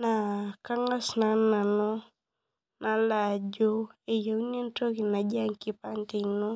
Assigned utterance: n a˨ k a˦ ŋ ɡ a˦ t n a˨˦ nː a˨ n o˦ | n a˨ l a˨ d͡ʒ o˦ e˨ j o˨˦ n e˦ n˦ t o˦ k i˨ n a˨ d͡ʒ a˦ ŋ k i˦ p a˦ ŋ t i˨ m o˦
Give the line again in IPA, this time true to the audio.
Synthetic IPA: n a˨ k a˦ ŋ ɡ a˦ s n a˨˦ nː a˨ n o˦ | n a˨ l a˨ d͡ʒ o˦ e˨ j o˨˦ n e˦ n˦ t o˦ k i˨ n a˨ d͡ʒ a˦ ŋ k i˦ p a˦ n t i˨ n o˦